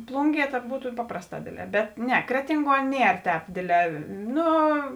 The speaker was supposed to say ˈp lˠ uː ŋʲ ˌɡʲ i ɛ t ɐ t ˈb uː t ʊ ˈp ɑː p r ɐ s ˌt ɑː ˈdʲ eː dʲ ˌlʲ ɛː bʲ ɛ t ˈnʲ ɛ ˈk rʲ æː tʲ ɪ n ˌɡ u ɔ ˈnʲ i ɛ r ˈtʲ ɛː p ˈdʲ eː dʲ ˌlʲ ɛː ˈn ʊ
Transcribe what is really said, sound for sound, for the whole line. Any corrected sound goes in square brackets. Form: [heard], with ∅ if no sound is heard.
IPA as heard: ˈp lˠ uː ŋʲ ˌɡʲ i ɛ t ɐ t ˈb uː t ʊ ˈp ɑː p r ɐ s ˌt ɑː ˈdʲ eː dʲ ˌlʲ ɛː bʲ ɛ t ˈnʲ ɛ ˈk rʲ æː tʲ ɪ [ŋ] ˌɡ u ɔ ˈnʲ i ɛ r ˈtʲ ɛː p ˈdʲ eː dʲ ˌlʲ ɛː ˈn ʊ